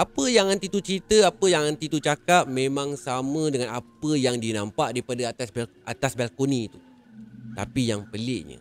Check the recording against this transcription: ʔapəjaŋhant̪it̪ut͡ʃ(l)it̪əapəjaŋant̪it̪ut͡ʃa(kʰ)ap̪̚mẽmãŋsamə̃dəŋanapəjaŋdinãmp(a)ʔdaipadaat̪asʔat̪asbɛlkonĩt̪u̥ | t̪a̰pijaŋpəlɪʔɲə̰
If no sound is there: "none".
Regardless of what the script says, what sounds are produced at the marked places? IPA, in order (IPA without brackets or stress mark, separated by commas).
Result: ɾ, k, a